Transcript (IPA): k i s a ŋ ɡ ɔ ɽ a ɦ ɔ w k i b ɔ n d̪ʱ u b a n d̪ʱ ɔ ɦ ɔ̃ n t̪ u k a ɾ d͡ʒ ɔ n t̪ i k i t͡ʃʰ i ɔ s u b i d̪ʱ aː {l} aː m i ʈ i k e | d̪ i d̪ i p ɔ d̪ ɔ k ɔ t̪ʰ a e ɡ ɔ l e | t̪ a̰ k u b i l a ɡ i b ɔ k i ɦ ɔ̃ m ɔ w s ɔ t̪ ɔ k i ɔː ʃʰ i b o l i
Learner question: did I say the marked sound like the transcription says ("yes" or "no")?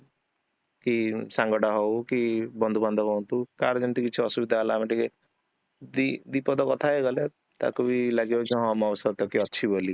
yes